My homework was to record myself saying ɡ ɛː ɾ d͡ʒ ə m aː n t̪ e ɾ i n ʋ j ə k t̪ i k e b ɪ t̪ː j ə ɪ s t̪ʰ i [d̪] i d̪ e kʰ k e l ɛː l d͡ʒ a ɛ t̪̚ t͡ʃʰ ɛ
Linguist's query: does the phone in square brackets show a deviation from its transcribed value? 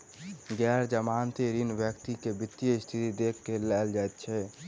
yes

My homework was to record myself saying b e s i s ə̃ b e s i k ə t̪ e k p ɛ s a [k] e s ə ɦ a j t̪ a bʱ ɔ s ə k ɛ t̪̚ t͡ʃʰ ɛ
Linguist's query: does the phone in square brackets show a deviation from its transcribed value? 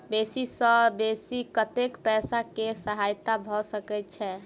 no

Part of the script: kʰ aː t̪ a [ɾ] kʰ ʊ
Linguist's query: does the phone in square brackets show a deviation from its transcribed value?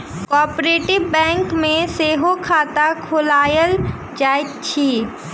yes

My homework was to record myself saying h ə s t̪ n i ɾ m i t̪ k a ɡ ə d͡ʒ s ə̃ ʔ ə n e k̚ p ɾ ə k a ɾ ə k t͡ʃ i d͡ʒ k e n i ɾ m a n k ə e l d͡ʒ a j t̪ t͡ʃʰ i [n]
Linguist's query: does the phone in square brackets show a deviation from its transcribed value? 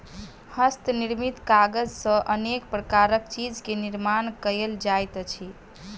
yes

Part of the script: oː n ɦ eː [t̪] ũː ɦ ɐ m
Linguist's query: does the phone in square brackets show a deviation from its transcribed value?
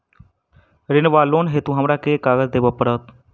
no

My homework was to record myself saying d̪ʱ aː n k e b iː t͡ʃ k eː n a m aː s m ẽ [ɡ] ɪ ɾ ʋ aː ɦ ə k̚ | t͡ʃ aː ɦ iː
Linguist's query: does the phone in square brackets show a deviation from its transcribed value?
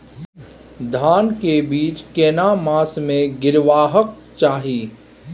no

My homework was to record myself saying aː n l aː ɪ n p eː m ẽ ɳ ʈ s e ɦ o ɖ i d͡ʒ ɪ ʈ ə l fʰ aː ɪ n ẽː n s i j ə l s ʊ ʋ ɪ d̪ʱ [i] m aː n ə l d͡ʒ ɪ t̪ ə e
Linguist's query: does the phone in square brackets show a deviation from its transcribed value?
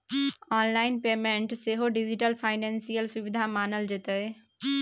yes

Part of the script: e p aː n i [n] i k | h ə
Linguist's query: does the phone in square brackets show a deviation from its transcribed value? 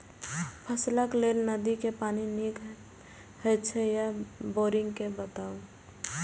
no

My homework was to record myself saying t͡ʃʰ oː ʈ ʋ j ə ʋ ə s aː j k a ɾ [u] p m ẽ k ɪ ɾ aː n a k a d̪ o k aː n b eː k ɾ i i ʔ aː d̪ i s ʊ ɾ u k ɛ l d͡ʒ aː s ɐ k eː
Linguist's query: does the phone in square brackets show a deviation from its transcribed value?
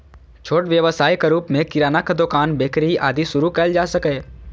yes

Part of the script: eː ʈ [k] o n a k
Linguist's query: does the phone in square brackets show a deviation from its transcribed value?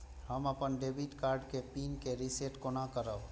no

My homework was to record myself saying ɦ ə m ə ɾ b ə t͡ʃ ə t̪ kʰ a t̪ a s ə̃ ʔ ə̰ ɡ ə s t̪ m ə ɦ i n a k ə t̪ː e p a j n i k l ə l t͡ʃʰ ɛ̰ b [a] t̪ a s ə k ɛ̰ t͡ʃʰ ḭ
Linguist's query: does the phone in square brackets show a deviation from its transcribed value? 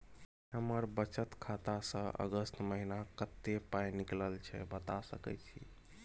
yes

